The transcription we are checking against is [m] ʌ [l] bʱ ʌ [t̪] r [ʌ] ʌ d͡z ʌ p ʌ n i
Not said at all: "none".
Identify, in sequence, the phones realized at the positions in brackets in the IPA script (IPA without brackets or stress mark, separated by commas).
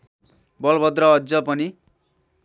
b, l, d̪, ʌ